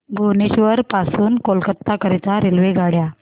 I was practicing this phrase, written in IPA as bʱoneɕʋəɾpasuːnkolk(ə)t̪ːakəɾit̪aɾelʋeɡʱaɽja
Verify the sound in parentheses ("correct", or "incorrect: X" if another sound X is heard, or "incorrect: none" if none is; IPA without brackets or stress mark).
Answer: correct